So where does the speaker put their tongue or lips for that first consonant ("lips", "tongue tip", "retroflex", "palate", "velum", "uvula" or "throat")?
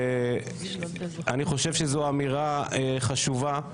tongue tip